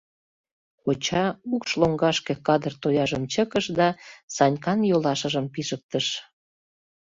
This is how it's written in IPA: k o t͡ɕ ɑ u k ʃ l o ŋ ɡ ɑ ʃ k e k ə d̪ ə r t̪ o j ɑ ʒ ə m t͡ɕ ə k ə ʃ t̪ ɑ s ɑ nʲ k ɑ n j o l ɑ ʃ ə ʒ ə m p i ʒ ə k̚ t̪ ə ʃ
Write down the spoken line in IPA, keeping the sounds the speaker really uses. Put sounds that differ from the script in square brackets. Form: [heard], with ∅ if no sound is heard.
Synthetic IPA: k o t͡ɕ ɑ u k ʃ l o ŋ ɡ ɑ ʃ k e k [ɑ] d̪ ə r t̪ o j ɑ ʒ ə m t͡ɕ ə k ə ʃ [d̪] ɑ s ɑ nʲ k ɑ n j o l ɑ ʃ ə ʒ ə m p i ʒ ə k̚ t̪ ə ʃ